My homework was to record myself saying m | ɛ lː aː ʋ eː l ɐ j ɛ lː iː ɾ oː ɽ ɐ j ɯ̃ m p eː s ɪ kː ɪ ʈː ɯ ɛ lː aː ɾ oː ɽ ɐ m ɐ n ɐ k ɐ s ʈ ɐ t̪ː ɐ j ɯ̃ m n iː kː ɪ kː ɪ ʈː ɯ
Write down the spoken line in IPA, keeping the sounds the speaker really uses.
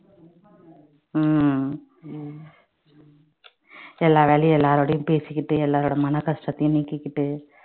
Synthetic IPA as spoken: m | ɛ lː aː ʋ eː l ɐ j ɛ lː aː ɾ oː ɽ ɐ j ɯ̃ m p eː s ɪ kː ɪ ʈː ɯ ɛ lː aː ɾ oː ɽ ɐ m ɐ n ɐ k ɐ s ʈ ɐ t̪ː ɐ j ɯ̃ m n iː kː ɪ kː ɪ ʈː ɯ